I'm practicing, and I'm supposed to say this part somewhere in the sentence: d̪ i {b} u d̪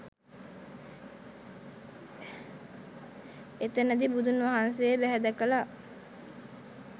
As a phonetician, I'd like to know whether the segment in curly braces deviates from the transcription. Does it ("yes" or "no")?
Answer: no